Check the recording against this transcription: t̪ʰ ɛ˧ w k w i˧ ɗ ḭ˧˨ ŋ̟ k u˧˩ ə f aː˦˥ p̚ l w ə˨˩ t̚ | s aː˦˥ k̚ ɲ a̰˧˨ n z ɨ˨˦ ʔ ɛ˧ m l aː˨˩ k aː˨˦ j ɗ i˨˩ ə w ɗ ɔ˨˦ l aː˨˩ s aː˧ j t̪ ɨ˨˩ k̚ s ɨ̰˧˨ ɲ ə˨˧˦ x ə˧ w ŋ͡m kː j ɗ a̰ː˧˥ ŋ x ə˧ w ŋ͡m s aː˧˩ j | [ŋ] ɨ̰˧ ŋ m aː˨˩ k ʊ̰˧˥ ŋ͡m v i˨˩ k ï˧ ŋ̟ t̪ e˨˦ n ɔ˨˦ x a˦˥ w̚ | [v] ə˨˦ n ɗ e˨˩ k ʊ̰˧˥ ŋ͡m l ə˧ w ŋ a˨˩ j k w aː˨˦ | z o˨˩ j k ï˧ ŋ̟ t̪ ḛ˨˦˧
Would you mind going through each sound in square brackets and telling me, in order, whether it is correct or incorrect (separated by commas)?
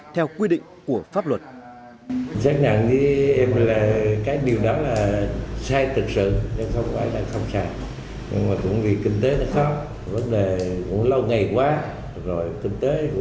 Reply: incorrect, correct